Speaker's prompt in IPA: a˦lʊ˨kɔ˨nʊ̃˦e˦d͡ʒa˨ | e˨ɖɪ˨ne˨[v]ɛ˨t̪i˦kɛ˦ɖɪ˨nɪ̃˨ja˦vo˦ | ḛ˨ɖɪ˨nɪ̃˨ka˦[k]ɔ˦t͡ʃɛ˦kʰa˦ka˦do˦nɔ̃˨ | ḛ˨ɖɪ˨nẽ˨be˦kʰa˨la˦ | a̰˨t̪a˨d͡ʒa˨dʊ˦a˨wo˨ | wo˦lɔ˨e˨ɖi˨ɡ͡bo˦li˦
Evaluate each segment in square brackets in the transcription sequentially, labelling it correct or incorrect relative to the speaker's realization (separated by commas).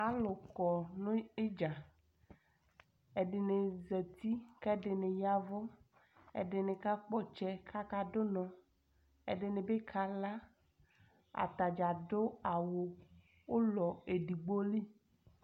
incorrect, incorrect